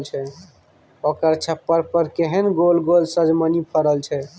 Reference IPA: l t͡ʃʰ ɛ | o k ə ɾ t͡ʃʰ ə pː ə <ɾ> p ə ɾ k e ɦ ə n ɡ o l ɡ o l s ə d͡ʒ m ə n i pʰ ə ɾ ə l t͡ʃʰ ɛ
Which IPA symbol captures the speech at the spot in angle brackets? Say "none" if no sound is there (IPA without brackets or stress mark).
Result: ɾ